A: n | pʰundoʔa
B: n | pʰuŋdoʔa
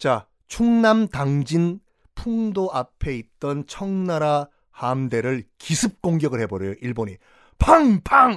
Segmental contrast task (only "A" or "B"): B